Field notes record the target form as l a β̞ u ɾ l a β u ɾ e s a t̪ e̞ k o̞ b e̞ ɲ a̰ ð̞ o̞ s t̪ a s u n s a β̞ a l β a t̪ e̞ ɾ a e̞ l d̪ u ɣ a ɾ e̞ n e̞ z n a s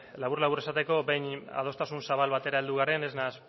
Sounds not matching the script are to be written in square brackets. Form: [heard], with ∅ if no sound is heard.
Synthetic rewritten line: l a β̞ u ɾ l a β u ɾ e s a t̪ e̞ k o̞ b e̞ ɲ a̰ ð̞ o̞ s t̪ a s u n s a β̞ a l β a t̪ e̞ ɾ a e̞ l d̪ u ɣ a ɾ e̞ n e̞ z n a s